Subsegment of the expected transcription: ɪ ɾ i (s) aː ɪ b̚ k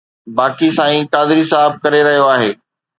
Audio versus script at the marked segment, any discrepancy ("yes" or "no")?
no